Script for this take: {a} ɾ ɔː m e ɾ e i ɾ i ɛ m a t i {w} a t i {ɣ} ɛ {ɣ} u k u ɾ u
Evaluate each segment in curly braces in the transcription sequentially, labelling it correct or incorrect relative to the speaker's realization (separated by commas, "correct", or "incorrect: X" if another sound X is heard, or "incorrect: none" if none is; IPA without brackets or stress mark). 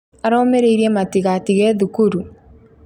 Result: correct, incorrect: ɣ, correct, incorrect: ð